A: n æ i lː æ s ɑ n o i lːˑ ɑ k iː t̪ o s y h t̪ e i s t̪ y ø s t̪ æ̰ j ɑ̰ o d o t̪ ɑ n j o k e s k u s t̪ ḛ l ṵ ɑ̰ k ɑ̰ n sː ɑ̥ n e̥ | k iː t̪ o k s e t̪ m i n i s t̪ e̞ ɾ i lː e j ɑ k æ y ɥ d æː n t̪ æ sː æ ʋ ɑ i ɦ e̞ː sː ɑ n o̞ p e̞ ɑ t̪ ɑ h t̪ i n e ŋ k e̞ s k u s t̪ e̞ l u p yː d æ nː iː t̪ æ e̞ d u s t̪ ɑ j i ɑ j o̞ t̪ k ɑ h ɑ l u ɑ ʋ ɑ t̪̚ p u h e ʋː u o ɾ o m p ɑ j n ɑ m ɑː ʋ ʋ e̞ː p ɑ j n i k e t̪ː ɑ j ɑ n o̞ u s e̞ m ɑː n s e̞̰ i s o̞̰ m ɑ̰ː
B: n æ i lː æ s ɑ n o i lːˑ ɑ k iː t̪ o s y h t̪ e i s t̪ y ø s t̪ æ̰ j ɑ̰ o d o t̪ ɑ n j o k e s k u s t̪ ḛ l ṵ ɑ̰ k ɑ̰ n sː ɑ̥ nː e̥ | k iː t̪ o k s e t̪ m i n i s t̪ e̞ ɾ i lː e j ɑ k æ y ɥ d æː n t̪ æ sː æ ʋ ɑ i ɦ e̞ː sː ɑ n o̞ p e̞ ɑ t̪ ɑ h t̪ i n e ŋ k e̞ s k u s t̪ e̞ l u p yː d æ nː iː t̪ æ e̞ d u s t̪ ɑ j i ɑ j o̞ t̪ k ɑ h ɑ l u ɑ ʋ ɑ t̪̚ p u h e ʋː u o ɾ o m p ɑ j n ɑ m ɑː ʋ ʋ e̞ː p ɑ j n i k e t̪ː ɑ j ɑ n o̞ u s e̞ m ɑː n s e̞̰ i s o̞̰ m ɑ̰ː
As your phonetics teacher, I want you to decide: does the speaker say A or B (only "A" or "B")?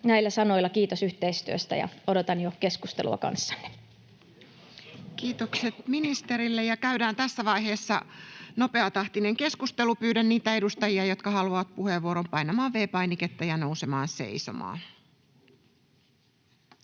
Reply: B